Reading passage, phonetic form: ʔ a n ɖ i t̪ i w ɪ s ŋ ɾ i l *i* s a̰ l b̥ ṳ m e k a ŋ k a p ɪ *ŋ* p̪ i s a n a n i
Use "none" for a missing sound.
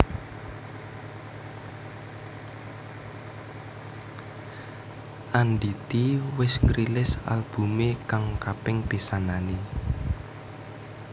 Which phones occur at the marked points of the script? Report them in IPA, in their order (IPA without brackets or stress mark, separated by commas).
ɪ, ŋ